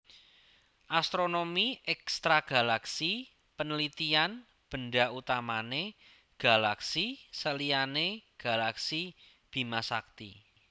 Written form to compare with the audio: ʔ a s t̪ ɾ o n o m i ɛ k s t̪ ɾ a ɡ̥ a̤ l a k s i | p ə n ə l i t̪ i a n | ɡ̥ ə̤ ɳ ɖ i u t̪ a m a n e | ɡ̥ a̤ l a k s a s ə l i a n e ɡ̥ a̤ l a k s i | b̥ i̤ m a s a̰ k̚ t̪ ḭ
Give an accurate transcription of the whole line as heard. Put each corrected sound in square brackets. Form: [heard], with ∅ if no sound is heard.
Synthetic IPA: ʔ a s t̪ ɾ o n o m i ɛ k s t̪ ɾ a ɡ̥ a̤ l a k s i | p ə n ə l i t̪ i a n | [b̥] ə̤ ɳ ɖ [a] u t̪ a m a n e | ɡ̥ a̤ l a k s [i] s ə l i a n e ɡ̥ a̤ l a k s i | b̥ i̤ m a s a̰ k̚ t̪ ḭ